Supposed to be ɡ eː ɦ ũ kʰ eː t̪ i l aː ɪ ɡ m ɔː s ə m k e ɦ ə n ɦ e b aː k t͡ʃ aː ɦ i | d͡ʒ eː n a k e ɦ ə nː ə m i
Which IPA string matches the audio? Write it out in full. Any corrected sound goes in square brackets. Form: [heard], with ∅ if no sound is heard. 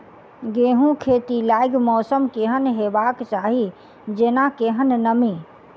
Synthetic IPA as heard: ɡ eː ɦ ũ kʰ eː t̪ i l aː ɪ ɡ m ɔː s ə m k e ɦ ə n ɦ e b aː k t͡ʃ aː ɦ i | d͡ʒ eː n a k e ɦ ə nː ə m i